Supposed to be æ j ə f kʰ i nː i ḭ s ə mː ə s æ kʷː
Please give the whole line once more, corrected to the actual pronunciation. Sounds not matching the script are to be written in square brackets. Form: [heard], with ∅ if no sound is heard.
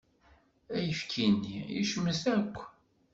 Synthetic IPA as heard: æ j ə f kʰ i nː i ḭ [ʃ] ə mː ə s æ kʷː